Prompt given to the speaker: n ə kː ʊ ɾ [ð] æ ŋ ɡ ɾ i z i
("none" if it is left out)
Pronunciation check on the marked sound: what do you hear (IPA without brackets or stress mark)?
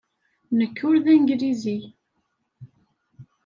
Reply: ð